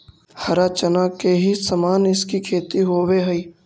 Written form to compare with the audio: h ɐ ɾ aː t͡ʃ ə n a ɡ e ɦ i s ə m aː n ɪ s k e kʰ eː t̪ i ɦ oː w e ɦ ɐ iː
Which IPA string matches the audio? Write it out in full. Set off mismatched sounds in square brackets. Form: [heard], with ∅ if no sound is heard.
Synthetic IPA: h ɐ ɾ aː t͡ʃ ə n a [k] e ɦ i s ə m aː n ɪ s k [i] kʰ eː t̪ i ɦ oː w e ɦ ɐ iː

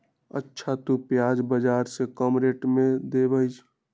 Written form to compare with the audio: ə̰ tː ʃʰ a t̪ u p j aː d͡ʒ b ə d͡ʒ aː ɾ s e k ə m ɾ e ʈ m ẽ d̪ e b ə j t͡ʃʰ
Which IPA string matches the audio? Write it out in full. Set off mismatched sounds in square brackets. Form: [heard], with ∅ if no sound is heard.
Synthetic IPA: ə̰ tː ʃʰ a t̪ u p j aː d͡ʒ b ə d͡ʒ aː ɾ s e k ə m ɾ e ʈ m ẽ d̪ e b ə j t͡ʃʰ

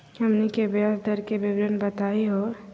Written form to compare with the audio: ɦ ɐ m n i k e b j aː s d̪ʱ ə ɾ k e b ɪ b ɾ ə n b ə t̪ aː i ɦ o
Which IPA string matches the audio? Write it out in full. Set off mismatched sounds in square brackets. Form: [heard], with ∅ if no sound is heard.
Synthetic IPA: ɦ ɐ m n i k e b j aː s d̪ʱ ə ɾ k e b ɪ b ɾ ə n b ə t̪ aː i ɦ o

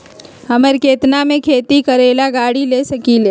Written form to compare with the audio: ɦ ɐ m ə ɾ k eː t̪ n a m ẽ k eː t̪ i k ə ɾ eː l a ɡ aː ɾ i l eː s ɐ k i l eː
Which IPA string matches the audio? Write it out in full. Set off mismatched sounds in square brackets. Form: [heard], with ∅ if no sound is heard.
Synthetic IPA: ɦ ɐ m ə ɾ k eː t̪ n a m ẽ [kʰ] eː t̪ i k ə ɾ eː l a ɡ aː [ɽ] i l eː s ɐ k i l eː

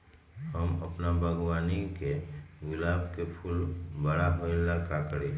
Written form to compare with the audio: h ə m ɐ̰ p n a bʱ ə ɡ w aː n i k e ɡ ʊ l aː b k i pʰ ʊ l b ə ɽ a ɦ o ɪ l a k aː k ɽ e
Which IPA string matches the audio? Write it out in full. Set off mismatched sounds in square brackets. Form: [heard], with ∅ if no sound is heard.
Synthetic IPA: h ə m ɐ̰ p n a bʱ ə ɡ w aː n i k e ɡ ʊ l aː b k [e] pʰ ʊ l b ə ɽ a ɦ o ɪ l a k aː k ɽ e

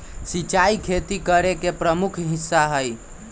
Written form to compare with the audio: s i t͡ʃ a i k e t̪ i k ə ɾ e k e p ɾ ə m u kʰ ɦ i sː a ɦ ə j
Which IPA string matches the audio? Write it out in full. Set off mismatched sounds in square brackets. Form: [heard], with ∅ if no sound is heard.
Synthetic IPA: s i t͡ʃ a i [kʰ] e t̪ i k ə ɾ e k e p ɾ ə m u kʰ ɦ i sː a ɦ ə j

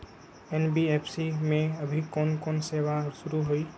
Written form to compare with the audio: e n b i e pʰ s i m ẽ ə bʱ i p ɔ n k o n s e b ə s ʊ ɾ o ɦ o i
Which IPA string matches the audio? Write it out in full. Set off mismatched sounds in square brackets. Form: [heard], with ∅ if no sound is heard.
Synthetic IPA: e n b i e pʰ s i m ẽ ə bʱ i [k] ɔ n k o n s e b [a] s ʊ ɾ [u] ɦ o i

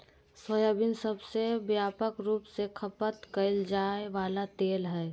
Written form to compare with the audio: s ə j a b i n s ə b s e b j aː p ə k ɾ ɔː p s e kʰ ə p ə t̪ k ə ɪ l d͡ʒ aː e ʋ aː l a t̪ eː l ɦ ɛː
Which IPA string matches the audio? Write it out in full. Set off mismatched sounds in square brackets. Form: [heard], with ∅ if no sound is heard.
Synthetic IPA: s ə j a b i n s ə b s e b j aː p ə k ɾ [uː] p s e kʰ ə p ə t̪ k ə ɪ l d͡ʒ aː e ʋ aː l a t̪ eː l ɦ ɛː

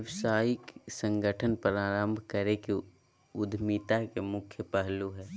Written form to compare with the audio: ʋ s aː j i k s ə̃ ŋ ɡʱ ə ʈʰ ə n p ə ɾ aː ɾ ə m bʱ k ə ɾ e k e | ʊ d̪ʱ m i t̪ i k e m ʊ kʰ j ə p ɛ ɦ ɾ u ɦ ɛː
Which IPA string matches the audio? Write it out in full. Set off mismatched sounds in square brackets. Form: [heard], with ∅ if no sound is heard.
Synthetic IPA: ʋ s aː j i k s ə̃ ŋ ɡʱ ə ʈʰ ə n p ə ɾ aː ɾ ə m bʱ k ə ɾ e k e | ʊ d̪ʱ m i t̪ [a] k e m ʊ kʰ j ə p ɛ ɦ [l] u ɦ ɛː

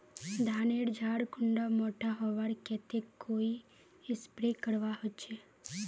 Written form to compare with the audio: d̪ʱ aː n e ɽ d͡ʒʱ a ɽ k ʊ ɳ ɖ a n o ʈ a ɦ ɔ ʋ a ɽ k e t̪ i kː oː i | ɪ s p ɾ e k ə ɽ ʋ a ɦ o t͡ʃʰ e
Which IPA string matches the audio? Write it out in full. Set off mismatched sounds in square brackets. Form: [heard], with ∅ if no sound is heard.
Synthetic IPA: d̪ʱ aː n e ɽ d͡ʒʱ a ɽ k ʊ ɳ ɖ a [m] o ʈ a ɦ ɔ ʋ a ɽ k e t̪ [e] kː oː i | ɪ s p ɾ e k ə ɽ ʋ a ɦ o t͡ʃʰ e

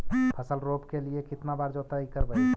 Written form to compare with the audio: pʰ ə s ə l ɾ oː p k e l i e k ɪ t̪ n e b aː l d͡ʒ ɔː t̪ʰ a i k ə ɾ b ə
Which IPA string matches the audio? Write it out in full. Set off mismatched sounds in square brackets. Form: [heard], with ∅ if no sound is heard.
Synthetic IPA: pʰ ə s ə l ɾ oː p k e l i e k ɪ t̪ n [a] b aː [ɾ] d͡ʒ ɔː [t̪] a i k ə ɾ b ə

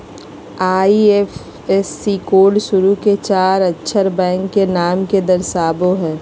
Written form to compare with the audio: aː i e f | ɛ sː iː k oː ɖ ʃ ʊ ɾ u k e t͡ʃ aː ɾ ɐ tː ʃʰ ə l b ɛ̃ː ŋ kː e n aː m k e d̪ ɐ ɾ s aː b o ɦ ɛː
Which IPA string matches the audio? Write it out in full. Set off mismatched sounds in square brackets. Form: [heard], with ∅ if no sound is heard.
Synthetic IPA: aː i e f | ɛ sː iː k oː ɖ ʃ ʊ ɾ u k e t͡ʃ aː ɾ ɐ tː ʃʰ ə [ɾ] b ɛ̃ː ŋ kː e n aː m k e d̪ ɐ ɾ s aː b o ɦ ɛː

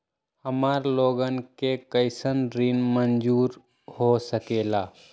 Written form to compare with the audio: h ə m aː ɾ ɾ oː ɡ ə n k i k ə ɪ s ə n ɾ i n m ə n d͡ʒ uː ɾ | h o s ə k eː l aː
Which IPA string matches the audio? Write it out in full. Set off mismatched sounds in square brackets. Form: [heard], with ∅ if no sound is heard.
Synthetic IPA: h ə m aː ɾ [l] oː ɡ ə n k [e] k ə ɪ s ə n ɾ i n m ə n d͡ʒ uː ɾ | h o s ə k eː l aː

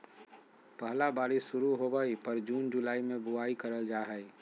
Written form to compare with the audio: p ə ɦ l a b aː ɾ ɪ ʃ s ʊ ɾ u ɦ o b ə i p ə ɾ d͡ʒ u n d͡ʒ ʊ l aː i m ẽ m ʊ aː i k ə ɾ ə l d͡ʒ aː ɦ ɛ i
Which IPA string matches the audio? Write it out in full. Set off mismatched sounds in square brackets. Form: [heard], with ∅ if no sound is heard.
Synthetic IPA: p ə ɦ l a b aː ɾ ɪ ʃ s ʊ ɾ u ɦ o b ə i p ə ɾ d͡ʒ [uː] n d͡ʒ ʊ l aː i m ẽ [b] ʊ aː i k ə ɾ ə l d͡ʒ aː ɦ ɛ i

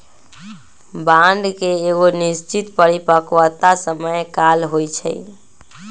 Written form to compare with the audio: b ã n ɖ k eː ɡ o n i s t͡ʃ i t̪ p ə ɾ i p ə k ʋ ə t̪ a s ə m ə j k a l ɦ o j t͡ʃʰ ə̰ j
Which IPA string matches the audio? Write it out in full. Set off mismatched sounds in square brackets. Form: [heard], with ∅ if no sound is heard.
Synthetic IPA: b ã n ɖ k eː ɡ o n i s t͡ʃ i t̪ p ə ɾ i p ə k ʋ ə t̪ a s ə m ə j k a l ɦ o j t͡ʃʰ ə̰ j

